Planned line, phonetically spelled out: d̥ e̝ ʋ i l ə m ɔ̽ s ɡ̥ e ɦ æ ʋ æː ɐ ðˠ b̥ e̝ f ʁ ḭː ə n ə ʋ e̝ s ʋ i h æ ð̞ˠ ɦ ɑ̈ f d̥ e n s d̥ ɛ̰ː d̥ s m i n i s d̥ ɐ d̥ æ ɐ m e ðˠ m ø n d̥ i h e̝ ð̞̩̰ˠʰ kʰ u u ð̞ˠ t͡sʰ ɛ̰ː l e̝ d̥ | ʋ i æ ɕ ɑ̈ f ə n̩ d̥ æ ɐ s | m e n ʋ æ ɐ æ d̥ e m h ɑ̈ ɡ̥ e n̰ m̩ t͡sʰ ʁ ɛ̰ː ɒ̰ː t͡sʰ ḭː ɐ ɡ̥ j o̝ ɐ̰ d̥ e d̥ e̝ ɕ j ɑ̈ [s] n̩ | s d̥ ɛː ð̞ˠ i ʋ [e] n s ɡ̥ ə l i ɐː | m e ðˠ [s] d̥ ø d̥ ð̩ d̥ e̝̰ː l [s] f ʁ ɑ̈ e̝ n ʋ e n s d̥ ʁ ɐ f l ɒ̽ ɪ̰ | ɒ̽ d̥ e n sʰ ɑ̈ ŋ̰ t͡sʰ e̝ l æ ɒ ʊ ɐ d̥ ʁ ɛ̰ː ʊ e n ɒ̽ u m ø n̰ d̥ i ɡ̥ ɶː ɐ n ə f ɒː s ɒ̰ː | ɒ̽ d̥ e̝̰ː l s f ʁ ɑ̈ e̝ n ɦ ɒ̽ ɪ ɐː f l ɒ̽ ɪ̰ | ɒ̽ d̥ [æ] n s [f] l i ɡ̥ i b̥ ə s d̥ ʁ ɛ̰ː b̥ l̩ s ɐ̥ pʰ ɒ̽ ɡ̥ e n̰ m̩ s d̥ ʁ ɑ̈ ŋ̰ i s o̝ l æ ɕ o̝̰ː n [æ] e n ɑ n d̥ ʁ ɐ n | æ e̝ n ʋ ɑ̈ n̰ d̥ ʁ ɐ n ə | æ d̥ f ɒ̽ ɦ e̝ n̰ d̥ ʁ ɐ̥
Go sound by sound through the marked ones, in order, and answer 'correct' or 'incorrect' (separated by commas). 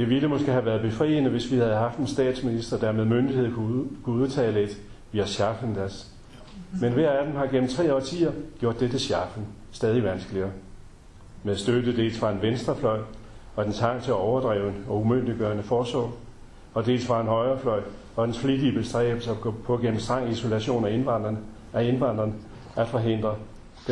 incorrect, incorrect, correct, correct, incorrect, correct, correct